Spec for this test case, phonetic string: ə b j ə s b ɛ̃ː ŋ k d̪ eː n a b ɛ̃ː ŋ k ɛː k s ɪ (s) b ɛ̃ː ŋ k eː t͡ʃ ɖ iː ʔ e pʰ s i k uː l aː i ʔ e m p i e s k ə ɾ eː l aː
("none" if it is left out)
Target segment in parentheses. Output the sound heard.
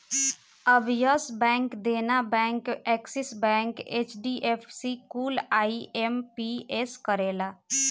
s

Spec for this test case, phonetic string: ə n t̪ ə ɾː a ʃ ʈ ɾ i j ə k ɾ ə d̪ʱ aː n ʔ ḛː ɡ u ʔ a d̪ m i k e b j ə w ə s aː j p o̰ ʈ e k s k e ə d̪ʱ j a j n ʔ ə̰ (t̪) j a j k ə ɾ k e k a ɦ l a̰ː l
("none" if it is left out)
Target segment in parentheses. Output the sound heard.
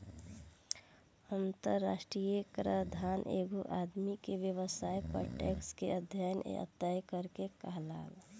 t̪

